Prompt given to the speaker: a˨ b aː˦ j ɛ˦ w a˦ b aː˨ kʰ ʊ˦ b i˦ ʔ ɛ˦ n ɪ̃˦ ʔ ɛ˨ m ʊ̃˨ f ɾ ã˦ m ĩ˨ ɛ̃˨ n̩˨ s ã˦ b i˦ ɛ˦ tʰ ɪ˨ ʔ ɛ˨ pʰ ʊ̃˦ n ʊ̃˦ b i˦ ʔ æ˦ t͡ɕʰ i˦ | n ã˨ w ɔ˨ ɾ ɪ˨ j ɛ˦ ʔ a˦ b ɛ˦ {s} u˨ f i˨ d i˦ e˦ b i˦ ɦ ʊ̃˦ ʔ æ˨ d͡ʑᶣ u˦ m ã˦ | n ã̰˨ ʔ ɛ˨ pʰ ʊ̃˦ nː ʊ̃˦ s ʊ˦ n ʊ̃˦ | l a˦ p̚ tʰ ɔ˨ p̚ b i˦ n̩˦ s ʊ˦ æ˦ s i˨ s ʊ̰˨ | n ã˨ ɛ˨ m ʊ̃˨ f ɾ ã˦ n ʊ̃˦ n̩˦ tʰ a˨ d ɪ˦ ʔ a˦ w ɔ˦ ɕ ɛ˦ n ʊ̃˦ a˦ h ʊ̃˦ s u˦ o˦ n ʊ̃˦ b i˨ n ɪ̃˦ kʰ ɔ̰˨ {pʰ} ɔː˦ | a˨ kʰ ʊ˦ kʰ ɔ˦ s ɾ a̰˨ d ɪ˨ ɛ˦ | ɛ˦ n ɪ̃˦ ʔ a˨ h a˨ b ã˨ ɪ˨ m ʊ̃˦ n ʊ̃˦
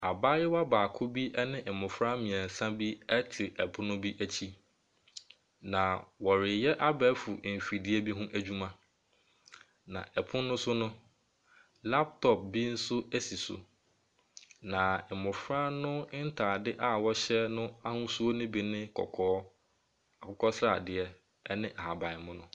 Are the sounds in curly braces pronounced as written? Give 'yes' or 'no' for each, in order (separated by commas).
no, no